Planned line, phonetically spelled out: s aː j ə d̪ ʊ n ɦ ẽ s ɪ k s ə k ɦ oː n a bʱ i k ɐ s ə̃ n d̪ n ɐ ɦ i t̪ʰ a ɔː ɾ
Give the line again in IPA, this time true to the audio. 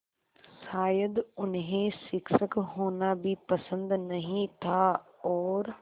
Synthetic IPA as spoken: s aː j ə d̪ ʊ n ɦ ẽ s ɪ k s ə k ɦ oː n a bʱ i p ɐ s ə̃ n d̪ n ɐ ɦ ĩ t̪ʰ a ɔː ɾ

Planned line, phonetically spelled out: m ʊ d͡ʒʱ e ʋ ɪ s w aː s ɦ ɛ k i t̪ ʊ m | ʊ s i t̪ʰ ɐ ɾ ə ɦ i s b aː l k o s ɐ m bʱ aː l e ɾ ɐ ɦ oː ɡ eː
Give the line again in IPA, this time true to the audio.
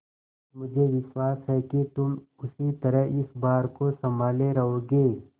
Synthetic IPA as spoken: m ʊ d͡ʒʱ e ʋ ɪ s w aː s ɦ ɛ k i t̪ ʊ m | ʊ s i t̪ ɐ ɾ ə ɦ ɪ s b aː ɾ k o s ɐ m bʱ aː l e ɾ ɐ ɦ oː ɡ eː

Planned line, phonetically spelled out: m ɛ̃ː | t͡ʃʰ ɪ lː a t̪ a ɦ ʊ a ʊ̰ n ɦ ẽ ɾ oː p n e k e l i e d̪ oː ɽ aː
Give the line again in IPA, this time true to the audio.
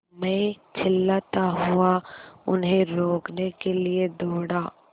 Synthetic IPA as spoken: m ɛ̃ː | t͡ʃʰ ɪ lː a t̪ a ɦ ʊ a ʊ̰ n ɦ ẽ ɾ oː k n e k e l i e d̪ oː ɽ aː

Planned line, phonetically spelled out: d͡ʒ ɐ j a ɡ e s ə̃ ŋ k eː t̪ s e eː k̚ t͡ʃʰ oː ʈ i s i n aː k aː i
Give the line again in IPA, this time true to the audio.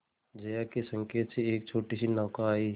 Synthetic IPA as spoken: d͡ʒ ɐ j a k e s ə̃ ŋ k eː t̪ s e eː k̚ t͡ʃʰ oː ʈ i s i n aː k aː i

